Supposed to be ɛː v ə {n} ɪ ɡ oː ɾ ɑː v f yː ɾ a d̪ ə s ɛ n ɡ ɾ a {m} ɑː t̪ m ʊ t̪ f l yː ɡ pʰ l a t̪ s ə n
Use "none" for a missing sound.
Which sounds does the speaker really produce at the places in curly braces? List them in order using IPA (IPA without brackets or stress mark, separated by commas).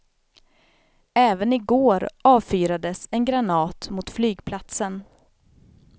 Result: n, n